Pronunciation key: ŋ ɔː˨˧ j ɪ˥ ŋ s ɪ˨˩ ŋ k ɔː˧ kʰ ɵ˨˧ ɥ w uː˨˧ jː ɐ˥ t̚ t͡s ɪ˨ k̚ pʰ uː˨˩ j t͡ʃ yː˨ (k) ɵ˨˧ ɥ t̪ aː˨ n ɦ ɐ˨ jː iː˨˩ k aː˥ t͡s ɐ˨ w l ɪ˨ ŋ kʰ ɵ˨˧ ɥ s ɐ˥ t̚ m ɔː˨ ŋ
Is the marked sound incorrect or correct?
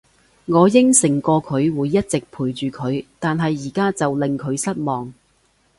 incorrect